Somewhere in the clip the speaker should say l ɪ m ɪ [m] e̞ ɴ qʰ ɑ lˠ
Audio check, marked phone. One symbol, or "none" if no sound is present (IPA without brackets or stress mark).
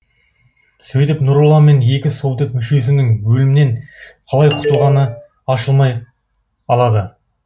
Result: n